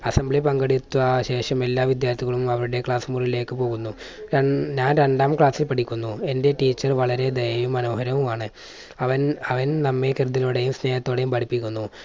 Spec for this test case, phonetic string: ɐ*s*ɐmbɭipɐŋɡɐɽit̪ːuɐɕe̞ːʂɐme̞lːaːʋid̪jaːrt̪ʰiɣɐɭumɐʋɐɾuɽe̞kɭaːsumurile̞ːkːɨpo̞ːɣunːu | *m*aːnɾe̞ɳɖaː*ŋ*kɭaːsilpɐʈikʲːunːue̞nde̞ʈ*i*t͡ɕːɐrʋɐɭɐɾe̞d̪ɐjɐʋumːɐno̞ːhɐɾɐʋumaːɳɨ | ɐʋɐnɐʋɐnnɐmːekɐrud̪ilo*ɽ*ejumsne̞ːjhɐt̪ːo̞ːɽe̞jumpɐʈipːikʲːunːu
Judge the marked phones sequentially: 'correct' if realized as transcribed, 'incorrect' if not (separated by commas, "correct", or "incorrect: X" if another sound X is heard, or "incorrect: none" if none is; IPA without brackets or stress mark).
correct, incorrect: ɲ, incorrect: m, incorrect: iː, correct